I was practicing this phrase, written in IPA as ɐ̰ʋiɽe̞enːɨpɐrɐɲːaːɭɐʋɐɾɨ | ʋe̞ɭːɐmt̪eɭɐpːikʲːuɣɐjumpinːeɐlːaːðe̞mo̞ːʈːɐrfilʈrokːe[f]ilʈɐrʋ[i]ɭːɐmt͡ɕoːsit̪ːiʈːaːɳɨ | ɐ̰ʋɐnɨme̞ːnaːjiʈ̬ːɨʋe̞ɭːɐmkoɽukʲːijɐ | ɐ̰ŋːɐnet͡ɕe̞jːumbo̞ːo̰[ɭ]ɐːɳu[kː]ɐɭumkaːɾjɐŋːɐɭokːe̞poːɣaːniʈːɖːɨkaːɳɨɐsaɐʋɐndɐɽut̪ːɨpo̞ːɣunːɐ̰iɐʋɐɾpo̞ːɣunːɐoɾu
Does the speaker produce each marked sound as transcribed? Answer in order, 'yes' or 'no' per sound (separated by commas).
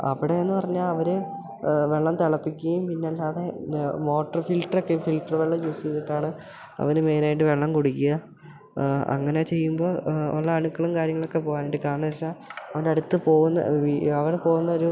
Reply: yes, no, no, yes